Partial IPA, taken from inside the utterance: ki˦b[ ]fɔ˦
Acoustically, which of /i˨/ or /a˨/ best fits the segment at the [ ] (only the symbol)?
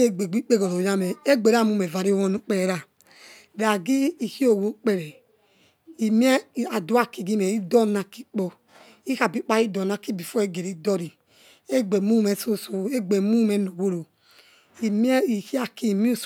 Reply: i˨